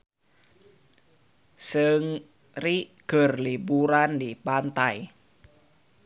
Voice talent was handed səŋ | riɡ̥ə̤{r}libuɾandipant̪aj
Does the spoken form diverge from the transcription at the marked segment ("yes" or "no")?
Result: no